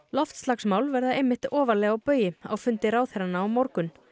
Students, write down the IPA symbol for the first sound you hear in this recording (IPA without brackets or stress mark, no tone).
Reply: l̪